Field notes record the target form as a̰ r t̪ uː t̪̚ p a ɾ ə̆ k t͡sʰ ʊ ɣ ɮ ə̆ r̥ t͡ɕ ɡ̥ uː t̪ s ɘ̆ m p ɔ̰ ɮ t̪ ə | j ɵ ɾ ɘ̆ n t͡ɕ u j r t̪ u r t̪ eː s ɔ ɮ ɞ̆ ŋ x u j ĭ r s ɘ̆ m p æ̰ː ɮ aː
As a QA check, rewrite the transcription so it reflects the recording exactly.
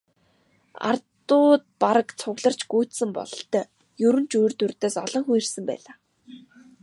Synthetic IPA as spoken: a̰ r t̪ ʊː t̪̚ p a ɾ ə̆ k t͡sʰ ʊ ɣ ɮ ə̆ r̥ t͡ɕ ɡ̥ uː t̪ s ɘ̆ m p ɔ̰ ɮ t̪ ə | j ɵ ɾ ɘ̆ n t͡ɕ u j r t̪ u r t̪ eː s ɔ ɮ ɞ̆ ŋ x u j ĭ r s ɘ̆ m p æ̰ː ɮ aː